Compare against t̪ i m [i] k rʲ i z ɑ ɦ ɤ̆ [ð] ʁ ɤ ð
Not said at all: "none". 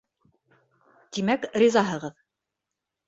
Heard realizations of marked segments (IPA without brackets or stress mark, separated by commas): æ, none